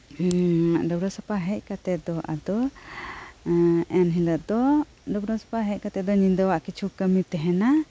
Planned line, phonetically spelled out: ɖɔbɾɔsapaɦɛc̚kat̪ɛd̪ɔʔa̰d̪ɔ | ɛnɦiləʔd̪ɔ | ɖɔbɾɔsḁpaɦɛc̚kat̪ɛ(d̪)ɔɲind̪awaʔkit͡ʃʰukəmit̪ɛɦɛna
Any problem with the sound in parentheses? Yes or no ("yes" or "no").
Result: no